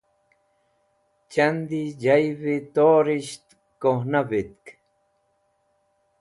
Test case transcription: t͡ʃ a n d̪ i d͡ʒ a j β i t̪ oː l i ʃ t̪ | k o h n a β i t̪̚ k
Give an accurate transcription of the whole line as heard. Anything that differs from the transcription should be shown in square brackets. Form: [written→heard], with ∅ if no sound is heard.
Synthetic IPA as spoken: t͡ʃ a n d̪ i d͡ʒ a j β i t̪ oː [l→ɾ] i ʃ t̪ | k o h n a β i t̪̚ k